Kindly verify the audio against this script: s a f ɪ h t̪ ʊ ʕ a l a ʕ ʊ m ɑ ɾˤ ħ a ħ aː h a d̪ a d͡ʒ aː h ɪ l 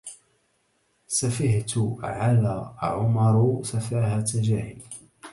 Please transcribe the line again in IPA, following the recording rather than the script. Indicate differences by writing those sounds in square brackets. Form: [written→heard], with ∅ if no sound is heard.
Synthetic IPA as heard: s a f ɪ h t̪ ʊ ʕ a l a ʕ ʊ m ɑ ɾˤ [ħ→s] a [ħ→f] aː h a [d̪→t̪] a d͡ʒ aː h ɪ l